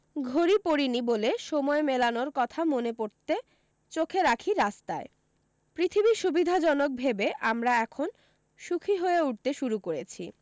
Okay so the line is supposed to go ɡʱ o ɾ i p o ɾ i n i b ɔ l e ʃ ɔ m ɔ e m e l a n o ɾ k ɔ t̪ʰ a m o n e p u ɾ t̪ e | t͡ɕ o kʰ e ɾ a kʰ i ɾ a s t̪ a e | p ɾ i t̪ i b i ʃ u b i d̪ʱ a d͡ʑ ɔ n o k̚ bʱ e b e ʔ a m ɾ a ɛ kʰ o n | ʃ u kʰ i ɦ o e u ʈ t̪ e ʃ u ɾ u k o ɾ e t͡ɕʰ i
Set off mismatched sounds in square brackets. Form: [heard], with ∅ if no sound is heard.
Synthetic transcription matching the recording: ɡʱ o ɾ i p o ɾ i n i b [o] l e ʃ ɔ m ɔ e m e l a n o ɾ k ɔ t̪ʰ a m o n e p [o] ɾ t̪ e | t͡ɕ o kʰ e ɾ a kʰ i ɾ a s t̪ a e | p ɾ i [t̪ʰ] i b i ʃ u b i d̪ʱ a d͡ʑ ɔ n o k̚ bʱ e b e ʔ a m ɾ a ɛ kʰ o n | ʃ u kʰ i ɦ o e u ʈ t̪ e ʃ u ɾ u k o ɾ e t͡ɕʰ i

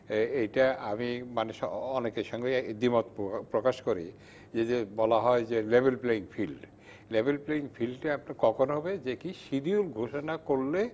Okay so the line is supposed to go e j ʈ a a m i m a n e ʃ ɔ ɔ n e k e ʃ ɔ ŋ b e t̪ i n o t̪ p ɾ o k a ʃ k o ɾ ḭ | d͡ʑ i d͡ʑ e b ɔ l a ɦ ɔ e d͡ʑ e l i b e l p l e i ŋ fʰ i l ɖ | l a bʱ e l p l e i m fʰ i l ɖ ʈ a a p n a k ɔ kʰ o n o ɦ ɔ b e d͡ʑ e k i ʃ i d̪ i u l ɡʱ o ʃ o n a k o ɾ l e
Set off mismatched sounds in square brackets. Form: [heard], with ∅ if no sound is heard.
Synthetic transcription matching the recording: e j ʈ a a m i m a n e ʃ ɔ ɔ n e k e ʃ ɔ ŋ [ɡ] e [d̪] i [m] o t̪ p ɾ o k a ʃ k o ɾ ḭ | d͡ʑ [e] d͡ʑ e b ɔ l a ɦ ɔ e d͡ʑ e l [e] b e l p l e i ŋ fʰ i l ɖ | l [e] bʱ e l p l e i [ŋ] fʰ i l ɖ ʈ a a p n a k ɔ kʰ o n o ɦ ɔ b e d͡ʑ e k i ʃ i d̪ i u l ɡʱ o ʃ o n a k o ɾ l e

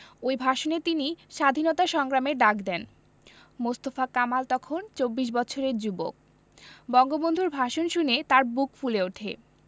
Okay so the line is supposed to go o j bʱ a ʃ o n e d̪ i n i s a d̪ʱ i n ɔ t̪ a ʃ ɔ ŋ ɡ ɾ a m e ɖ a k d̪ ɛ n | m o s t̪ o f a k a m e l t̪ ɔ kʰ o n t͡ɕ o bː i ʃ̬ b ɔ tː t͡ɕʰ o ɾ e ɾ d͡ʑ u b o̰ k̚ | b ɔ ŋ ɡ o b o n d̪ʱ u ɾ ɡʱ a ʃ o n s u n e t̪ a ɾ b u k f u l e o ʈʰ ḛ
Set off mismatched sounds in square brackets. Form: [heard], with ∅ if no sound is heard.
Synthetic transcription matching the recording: o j bʱ a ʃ o n e [t̪] i n i [ʃ] a d̪ʱ i n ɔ t̪ a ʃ ɔ ŋ ɡ ɾ a m e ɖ a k d̪ ɛ n | m o s t̪ o f a k a m [a] l t̪ ɔ kʰ o n t͡ɕ o bː i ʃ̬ b ɔ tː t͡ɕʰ o ɾ e ɾ d͡ʑ u b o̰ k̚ | b ɔ ŋ ɡ o b o n d̪ʱ u ɾ [bʱ] a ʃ o n [ʃ] u n e t̪ a ɾ b u k f u l e o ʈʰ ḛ

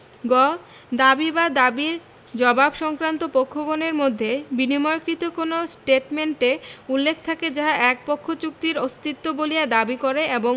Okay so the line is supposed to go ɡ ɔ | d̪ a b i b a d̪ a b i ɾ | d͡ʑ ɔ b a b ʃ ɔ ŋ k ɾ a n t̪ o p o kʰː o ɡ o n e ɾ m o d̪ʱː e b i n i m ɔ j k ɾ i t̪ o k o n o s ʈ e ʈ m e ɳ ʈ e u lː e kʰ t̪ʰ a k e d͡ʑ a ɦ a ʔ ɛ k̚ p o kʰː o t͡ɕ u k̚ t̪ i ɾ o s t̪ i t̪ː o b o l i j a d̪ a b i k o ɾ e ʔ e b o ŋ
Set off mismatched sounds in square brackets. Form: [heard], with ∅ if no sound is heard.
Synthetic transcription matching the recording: ɡ ɔ | d̪ a b i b a d̪ a b i ɾ | d͡ʑ ɔ b a b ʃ ɔ ŋ k ɾ a n t̪ o p o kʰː o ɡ o n e ɾ m o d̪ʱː e b i n i m ɔ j k ɾ i t̪ o k o n o s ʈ e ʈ m e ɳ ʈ e u lː e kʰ t̪ʰ a k e d͡ʑ a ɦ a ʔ ɛ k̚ p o kʰː o t͡ɕ u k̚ t̪ i ɾ o s t̪ i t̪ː o b o l i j a d̪ a b i k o ɾ e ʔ e b o ŋ

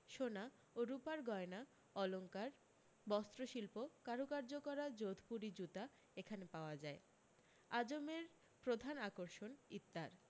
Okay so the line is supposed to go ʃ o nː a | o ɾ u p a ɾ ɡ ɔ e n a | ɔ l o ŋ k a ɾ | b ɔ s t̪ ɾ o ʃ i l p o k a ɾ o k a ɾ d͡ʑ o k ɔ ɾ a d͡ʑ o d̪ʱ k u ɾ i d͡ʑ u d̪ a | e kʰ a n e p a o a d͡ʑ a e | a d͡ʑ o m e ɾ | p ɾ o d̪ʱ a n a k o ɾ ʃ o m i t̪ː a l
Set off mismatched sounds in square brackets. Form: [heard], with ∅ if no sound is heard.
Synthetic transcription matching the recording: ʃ o [n] a | o ɾ u p a ɾ ɡ ɔ e n a | ɔ l o ŋ k a ɾ | b ɔ s t̪ ɾ o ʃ i l p o k a ɾ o k a ɾ d͡ʑ o k ɔ ɾ a d͡ʑ o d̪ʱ [p] u ɾ i d͡ʑ u [t̪] a | e kʰ a n e p a o a d͡ʑ a e | a d͡ʑ o m e ɾ | p ɾ o d̪ʱ a n a k o ɾ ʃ o [n] i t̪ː a [ɾ]

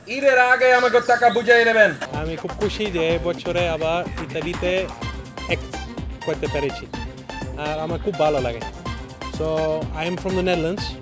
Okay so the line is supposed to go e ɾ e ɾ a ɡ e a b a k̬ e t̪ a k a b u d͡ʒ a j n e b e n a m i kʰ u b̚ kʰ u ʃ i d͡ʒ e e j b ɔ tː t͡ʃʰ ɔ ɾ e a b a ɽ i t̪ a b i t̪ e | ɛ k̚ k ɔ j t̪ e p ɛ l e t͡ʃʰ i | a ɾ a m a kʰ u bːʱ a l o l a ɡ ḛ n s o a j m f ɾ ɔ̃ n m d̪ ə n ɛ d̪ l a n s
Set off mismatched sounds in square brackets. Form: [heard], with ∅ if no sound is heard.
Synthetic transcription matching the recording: [i] ɾ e ɾ a ɡ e a [m] a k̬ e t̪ a k a b u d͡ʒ a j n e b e n a m i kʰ u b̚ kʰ u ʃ i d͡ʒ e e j b ɔ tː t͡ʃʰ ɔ ɾ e a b a [ɾ] i t̪ a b i t̪ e | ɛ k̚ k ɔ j t̪ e p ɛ [ɾ] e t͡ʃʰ i | a ɾ a m a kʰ u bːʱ a l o l a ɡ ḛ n s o a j m f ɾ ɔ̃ [∅] m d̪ ə n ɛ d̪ l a n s

